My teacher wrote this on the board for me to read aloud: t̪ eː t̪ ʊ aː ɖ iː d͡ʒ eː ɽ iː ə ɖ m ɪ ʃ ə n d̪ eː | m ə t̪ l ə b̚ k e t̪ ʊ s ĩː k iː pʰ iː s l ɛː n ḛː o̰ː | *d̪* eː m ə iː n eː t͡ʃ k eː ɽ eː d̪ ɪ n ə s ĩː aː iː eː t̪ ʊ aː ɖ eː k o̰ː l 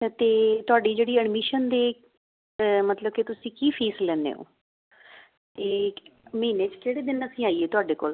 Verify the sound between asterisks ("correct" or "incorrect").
incorrect